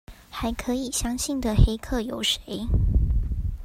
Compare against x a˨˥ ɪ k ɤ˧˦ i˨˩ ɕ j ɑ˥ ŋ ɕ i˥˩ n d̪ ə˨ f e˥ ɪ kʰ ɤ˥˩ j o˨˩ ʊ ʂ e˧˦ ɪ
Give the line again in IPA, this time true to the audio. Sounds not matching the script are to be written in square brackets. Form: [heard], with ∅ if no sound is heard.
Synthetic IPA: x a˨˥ ɪ [kʰ] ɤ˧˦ i˨˩ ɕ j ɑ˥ ŋ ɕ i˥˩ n d̪ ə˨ [x] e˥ ɪ kʰ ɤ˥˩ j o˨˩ ʊ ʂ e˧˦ ɪ